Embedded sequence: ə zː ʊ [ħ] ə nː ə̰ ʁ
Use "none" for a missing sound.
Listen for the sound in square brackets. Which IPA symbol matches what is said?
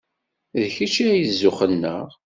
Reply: χ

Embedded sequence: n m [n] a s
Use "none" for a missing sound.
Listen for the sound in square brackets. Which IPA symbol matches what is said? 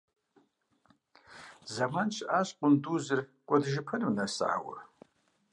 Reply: n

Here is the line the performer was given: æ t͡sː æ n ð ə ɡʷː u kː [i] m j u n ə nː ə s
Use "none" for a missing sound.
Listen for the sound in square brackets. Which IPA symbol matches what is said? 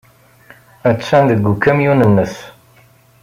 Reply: æ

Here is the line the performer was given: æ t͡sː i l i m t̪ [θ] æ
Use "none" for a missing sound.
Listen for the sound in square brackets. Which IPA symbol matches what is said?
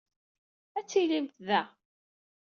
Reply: ð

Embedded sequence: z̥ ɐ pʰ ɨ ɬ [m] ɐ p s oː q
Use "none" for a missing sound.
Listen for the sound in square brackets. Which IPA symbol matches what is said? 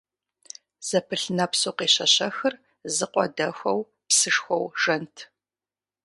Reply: n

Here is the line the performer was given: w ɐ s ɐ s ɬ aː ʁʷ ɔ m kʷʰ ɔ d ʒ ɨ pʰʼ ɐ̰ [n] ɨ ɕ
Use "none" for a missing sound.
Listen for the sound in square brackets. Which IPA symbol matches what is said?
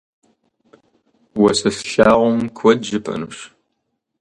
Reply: n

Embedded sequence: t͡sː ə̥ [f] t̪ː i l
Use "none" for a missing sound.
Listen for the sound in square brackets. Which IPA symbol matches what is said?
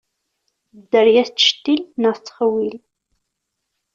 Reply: ʃ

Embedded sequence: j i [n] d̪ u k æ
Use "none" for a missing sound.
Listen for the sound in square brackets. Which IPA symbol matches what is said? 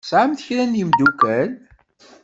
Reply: m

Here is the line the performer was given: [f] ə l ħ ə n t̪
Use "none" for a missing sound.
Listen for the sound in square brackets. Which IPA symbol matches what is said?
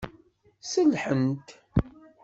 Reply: s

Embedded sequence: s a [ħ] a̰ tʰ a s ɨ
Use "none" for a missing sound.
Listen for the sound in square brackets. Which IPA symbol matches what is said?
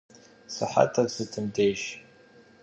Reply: ħ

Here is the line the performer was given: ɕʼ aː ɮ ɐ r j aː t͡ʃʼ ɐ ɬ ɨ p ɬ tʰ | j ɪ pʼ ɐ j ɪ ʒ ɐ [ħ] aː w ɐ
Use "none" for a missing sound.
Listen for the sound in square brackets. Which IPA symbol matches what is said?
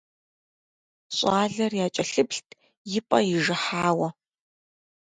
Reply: ħ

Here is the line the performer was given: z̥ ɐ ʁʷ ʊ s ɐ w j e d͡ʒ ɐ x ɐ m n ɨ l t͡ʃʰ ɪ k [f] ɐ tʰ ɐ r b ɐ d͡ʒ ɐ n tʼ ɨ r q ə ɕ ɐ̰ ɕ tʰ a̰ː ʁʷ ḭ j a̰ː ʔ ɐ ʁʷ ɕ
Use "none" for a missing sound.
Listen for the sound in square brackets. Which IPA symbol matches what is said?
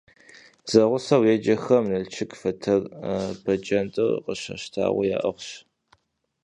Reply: f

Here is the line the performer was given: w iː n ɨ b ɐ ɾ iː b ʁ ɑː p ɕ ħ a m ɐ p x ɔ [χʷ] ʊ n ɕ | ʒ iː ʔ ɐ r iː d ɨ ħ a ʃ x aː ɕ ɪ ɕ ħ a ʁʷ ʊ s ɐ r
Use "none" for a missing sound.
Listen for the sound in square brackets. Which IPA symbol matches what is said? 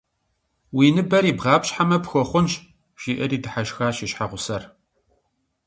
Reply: χʷ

